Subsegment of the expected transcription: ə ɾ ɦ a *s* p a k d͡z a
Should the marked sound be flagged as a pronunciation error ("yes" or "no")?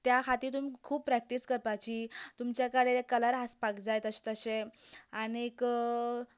no